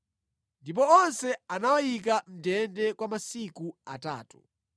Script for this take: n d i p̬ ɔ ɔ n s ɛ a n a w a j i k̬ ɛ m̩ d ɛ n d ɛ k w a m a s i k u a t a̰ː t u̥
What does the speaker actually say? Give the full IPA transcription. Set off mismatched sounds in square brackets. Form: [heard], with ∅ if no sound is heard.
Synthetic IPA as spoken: n d i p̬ ɔ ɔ n s ɛ a n a w a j i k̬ [a] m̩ d ɛ n d ɛ k w a m a s i k u a t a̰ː t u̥